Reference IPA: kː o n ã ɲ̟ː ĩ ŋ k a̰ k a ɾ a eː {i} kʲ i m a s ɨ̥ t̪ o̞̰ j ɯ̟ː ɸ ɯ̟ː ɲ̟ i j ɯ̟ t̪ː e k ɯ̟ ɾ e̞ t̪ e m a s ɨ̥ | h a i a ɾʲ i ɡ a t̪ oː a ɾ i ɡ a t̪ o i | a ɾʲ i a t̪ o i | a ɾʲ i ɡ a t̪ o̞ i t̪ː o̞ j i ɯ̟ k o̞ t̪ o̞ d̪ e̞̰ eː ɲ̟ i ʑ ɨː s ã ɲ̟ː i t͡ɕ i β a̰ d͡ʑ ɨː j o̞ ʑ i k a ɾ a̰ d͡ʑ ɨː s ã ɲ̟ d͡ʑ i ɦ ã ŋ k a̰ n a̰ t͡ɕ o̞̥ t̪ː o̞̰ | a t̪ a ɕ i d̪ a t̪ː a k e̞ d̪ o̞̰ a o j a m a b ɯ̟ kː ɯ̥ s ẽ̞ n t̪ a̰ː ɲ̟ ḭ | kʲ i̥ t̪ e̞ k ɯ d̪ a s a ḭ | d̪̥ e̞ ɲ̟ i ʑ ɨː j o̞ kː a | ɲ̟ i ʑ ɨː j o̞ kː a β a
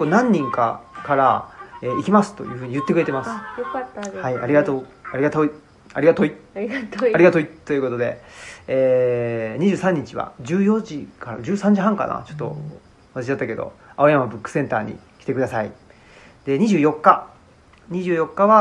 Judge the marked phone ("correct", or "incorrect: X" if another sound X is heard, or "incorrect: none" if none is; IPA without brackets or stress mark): correct